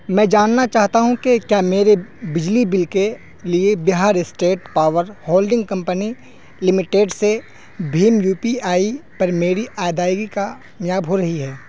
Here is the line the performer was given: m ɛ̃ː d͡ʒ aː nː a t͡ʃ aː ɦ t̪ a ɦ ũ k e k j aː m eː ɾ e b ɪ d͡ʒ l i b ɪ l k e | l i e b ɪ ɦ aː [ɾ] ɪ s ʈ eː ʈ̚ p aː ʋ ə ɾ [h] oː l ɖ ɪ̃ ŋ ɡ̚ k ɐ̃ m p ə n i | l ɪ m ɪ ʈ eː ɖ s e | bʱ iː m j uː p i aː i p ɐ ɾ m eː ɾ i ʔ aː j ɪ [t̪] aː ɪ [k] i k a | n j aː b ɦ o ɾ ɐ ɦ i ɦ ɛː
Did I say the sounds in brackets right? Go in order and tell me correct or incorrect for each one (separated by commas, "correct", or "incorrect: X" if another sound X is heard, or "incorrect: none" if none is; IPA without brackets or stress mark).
correct, correct, incorrect: d̪, incorrect: ɡ